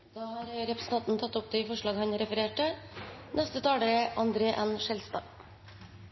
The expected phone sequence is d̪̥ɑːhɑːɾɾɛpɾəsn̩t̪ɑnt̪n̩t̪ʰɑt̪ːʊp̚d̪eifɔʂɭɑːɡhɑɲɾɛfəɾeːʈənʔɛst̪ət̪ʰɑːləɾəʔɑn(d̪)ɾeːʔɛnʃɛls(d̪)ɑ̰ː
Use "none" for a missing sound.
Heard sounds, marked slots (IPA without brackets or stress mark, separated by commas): d̪, t̪